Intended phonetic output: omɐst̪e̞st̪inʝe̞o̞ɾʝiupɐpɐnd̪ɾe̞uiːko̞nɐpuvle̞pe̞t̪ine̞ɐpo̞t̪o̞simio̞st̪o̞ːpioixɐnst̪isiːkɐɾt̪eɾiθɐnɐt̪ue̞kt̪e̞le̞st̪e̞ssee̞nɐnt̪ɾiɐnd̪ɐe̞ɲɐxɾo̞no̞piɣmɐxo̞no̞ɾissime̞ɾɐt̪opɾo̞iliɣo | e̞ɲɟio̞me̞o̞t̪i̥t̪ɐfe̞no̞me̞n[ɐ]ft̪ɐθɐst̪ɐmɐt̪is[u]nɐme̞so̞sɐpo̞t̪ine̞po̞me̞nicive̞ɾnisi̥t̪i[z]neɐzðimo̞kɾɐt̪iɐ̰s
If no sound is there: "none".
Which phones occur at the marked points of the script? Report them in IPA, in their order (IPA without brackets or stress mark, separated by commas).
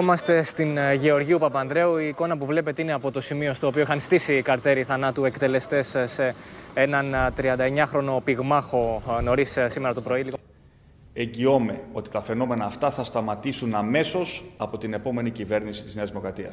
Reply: ɐː, u, z